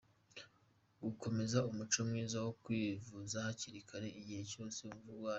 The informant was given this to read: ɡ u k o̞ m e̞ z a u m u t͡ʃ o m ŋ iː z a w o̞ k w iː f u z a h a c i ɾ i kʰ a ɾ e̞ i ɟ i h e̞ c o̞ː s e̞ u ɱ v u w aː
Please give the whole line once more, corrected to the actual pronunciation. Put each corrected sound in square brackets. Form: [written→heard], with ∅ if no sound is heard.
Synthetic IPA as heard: ɡ u k o̞ m e̞ z a u m u t͡ʃ o m ŋ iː z a w o̞ k w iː [f→v] u z a h a c i ɾ i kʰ a ɾ e̞ i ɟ i h e̞ c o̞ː s e̞ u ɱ v u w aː